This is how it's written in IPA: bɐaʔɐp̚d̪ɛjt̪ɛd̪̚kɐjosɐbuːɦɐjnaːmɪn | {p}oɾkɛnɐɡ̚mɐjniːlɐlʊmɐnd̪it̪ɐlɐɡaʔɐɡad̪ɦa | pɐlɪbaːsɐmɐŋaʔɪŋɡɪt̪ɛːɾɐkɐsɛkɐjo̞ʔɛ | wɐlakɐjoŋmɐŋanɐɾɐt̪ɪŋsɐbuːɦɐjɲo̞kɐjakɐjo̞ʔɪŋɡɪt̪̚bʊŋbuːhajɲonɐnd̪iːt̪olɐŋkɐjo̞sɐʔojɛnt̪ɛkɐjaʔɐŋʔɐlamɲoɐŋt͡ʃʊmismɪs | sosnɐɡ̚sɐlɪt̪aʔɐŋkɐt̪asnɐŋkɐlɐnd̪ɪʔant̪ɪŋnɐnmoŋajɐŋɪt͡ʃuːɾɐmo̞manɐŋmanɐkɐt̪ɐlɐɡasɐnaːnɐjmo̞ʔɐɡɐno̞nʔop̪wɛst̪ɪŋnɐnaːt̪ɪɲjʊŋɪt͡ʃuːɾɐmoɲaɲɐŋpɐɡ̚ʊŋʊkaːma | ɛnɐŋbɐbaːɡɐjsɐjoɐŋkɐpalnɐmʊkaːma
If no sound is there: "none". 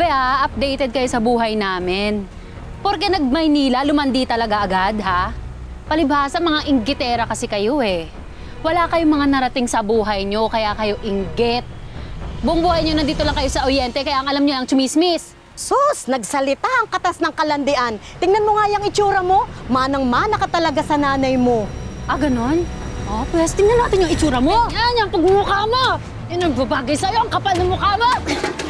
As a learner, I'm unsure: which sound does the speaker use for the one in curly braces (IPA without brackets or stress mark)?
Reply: p